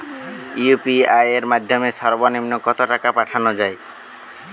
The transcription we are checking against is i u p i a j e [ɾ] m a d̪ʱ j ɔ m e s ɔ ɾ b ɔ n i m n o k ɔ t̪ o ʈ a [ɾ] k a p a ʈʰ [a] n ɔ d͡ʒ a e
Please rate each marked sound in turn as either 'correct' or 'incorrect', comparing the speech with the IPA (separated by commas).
correct, incorrect, correct